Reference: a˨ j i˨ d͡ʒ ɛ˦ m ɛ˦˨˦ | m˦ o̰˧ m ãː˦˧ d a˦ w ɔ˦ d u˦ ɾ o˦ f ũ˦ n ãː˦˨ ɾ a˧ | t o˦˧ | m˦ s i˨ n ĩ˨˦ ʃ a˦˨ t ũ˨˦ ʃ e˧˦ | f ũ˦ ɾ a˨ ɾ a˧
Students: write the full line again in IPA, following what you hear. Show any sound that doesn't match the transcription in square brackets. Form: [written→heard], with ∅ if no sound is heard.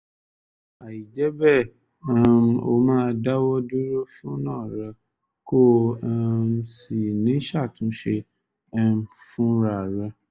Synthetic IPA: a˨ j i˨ d͡ʒ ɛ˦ [m→b] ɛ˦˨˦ | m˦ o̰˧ m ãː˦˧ d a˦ w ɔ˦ d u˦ ɾ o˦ f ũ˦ n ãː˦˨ ɾ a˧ | [t→k] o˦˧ | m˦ s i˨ n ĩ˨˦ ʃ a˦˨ t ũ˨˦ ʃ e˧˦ | f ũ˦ ɾ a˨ ɾ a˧